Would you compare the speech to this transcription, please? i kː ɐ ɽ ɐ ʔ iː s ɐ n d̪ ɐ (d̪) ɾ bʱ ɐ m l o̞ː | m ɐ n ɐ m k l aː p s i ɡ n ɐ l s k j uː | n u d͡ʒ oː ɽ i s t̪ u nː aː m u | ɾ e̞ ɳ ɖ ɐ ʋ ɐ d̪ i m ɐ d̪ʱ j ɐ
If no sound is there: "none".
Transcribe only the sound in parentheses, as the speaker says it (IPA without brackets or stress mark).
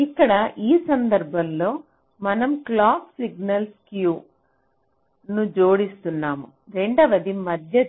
none